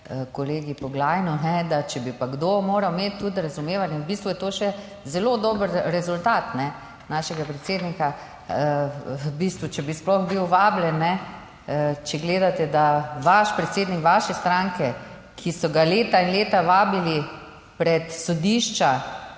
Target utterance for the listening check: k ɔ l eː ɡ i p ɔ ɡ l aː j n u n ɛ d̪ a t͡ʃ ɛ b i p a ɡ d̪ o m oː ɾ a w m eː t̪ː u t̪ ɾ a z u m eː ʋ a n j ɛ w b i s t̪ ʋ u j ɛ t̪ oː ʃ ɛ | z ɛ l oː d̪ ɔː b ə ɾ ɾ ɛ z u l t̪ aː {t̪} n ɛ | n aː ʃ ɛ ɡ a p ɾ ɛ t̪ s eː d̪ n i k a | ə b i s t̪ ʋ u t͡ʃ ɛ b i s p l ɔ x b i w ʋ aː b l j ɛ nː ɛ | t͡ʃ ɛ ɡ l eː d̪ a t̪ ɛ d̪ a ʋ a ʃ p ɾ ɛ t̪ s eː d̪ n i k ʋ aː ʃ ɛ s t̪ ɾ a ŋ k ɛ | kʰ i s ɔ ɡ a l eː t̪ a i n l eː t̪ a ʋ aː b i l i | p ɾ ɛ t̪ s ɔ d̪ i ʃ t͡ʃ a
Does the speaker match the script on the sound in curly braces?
yes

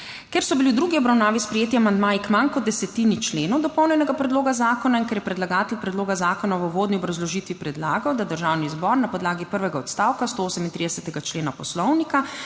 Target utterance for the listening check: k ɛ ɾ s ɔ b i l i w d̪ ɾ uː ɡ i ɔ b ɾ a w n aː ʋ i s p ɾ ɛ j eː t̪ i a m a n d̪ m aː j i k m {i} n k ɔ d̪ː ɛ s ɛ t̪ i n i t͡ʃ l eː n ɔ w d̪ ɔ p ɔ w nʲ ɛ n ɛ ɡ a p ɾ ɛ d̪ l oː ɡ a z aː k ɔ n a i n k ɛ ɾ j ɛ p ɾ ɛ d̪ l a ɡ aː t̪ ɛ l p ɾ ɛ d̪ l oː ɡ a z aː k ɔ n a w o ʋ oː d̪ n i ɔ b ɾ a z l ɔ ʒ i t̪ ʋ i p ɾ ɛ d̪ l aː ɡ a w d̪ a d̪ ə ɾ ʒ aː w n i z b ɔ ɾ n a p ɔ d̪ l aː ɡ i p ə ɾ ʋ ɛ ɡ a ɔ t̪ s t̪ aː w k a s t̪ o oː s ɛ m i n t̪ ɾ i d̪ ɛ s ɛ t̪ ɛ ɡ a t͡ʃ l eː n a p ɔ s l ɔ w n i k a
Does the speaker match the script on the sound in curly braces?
no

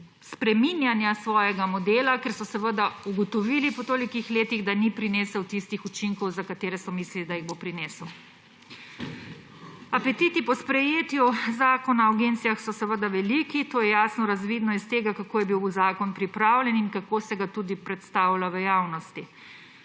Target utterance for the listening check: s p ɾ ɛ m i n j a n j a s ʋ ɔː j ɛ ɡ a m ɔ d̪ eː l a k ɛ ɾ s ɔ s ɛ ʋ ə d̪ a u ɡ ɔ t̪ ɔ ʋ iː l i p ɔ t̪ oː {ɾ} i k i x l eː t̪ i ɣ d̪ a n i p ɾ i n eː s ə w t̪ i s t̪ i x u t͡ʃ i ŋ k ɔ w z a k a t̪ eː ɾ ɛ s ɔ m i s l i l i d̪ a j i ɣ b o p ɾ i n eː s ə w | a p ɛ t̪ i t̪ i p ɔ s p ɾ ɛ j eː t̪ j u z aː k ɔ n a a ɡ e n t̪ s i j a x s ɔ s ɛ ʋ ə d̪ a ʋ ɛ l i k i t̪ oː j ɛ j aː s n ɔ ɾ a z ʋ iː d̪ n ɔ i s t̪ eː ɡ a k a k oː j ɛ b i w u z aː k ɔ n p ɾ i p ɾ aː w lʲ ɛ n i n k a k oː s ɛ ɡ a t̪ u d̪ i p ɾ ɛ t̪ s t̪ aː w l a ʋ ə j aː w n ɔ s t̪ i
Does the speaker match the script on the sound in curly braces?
no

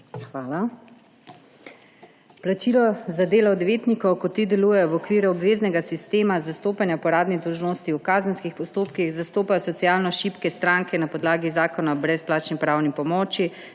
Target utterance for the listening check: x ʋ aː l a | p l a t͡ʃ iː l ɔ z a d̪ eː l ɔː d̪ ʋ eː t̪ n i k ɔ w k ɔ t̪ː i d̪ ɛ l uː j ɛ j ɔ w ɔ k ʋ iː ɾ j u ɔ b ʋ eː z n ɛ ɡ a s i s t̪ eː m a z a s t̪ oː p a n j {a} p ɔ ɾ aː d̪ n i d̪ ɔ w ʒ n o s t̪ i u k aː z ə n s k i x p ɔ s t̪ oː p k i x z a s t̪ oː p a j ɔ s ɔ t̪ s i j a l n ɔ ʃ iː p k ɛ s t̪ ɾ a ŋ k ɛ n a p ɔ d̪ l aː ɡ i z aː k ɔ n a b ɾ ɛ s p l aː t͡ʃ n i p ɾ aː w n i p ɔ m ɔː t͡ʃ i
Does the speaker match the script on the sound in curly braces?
yes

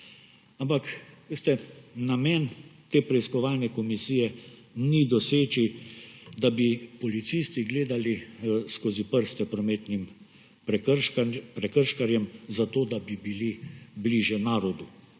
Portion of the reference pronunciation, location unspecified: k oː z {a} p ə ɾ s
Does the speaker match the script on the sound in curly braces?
no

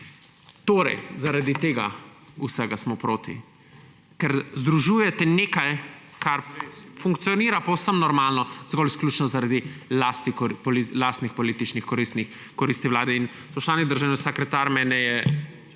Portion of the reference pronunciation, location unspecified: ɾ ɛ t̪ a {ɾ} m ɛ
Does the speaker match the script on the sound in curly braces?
yes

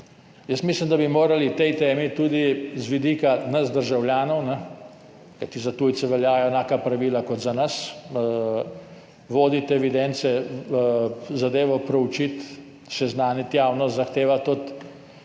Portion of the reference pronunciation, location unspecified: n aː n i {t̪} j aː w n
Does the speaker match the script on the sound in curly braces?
yes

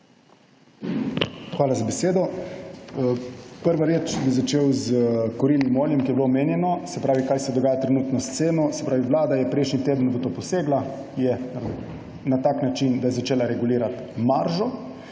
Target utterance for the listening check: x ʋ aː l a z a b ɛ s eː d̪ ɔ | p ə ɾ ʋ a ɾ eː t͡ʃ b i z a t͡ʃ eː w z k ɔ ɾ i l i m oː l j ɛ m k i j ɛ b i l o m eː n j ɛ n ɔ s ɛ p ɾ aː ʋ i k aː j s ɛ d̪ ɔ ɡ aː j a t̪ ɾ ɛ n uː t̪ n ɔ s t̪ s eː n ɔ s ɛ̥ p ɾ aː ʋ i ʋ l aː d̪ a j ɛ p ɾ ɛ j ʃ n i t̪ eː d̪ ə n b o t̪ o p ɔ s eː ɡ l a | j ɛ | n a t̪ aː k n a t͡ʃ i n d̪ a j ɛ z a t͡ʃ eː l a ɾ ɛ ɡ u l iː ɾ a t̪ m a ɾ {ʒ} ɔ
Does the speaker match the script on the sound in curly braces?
yes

